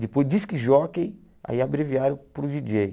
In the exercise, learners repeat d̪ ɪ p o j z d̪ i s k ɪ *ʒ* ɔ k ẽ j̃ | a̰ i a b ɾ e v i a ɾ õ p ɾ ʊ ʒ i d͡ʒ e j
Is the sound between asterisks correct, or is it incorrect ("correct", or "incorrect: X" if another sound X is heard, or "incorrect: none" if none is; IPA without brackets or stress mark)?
correct